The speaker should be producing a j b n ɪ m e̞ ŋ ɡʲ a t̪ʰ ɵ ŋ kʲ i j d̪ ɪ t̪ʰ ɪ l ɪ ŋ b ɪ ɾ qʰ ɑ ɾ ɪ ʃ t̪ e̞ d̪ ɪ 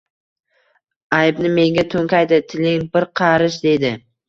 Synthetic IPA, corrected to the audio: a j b n ɪ m e̞ ŋ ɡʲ a t̪ʰ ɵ ŋ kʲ a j d̪ ɪ t̪ʰ ɪ l ɪ ŋ b ɪ ɾ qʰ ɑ ɾ ɪ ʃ d̪ e̞ d̪ ɪ